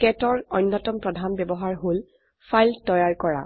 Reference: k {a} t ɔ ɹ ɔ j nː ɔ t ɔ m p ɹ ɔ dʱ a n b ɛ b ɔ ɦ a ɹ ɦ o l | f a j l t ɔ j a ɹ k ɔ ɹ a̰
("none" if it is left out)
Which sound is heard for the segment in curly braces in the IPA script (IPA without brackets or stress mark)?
ɛ